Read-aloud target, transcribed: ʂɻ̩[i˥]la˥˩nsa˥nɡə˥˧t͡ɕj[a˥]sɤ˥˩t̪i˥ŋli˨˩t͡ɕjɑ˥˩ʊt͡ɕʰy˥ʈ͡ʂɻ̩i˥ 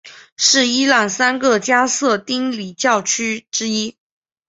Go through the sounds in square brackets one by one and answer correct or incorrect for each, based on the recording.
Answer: correct, correct

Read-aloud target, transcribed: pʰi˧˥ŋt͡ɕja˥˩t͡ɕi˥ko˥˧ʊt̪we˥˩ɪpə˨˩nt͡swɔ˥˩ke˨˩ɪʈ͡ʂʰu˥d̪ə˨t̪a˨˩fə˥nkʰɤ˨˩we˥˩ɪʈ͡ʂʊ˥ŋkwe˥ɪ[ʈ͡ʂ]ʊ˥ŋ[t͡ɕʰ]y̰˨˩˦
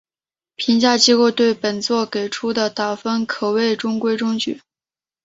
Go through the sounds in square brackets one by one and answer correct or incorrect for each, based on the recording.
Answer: correct, incorrect: t͡ɕ

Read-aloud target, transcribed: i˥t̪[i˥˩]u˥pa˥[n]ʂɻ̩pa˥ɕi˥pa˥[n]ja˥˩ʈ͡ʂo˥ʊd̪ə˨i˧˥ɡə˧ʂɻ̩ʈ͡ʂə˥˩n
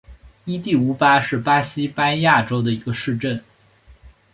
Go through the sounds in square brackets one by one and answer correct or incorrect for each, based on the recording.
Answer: correct, incorrect: none, correct

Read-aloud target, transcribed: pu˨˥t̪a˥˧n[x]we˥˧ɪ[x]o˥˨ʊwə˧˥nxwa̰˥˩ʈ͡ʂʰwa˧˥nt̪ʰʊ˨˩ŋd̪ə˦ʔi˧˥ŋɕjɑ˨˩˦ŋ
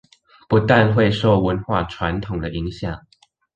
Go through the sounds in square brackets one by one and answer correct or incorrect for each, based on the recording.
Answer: correct, incorrect: ʂ

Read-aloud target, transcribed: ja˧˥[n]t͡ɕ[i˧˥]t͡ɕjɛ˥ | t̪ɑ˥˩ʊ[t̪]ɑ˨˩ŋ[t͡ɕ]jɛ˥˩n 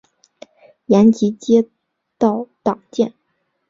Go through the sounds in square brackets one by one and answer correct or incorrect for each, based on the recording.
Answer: correct, correct, correct, correct

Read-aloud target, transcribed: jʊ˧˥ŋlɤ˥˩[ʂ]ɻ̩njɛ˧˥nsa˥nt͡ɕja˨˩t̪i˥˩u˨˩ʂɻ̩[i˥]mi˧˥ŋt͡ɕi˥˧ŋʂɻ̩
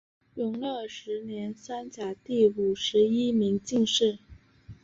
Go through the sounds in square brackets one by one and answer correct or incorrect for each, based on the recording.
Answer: correct, correct

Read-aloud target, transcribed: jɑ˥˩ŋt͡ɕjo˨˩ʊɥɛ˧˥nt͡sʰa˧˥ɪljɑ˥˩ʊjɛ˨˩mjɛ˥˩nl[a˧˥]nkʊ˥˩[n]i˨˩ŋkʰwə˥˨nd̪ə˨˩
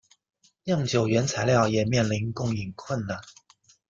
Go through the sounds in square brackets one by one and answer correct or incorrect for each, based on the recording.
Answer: incorrect: i˧˥, incorrect: ŋ

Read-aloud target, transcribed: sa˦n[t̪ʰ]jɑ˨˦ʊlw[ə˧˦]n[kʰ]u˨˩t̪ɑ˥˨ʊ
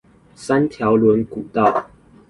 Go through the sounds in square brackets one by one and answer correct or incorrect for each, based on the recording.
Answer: correct, correct, incorrect: k

